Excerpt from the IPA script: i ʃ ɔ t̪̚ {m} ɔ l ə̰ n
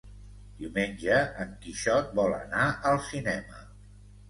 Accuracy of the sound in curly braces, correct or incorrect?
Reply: incorrect